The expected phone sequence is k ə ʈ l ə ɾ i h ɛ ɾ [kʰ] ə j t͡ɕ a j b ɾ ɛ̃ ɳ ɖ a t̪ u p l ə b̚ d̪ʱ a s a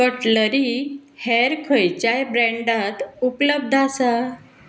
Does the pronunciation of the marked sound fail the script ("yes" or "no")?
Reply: no